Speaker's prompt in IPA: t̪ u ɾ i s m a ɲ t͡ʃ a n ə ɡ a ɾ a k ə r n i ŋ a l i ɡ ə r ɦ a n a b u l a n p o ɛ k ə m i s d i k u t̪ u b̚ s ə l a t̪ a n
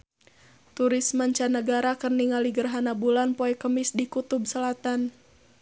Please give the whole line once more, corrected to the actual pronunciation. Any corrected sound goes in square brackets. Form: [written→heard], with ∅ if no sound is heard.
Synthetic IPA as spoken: t̪ u ɾ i s m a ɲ t͡ʃ a n ə ɡ a ɾ a k ə r n i ŋ a l i ɡ ə r ɦ a n a b u l a n p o ɛ k ə m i s d i k u t̪ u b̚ s ə l a t̪ a n